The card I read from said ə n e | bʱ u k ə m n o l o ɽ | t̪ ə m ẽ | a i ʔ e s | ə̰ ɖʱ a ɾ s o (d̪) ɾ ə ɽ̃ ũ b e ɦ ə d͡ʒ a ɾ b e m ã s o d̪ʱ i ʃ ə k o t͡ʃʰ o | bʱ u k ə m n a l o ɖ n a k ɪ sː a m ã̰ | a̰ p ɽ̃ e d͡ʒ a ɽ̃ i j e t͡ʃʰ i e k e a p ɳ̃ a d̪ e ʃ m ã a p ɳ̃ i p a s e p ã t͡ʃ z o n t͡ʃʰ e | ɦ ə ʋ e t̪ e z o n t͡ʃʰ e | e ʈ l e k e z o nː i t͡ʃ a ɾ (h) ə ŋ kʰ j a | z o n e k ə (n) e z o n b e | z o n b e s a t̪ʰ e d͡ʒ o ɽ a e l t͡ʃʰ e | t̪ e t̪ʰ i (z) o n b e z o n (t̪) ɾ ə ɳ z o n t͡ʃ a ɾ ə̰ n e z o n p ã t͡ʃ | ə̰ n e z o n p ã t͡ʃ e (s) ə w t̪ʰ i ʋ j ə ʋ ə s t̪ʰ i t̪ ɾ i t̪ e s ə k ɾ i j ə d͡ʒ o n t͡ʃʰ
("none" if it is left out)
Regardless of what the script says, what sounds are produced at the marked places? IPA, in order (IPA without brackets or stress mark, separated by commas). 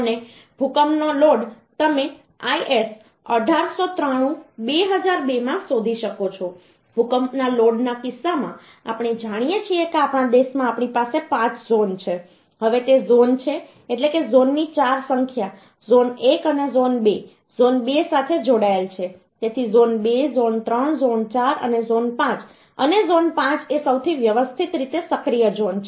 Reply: t̪, s, n, z, t̪, s